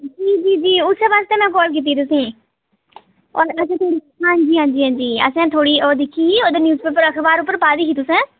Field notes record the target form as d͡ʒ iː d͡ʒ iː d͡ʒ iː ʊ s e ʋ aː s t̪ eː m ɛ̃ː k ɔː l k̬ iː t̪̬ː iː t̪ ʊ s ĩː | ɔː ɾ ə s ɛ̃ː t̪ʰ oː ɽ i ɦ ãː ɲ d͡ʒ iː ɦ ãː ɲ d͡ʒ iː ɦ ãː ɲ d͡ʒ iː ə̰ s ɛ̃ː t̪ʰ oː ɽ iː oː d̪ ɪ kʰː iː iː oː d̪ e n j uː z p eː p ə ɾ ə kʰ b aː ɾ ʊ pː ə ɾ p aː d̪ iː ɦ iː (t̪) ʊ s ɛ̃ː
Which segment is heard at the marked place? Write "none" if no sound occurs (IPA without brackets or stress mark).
t̪